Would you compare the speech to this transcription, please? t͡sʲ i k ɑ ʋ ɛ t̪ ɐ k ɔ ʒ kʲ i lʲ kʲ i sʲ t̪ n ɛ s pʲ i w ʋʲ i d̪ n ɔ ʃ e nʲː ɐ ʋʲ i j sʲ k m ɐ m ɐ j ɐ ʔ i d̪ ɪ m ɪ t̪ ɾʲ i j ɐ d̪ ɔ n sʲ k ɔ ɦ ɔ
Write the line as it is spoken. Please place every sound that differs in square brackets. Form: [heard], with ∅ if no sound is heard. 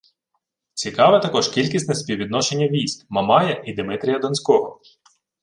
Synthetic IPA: t͡sʲ i k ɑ ʋ ɛ t̪ ɐ k ɔ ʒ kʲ i lʲ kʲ i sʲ t̪ n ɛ s pʲ i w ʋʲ i d̪ n ɔ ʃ e nʲː ɐ ʋʲ i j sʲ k m ɐ m [ɑ] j ɐ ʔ i d̪ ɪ m ɪ t̪ ɾʲ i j ɐ d̪ ɔ n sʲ k ɔ ɦ ɔ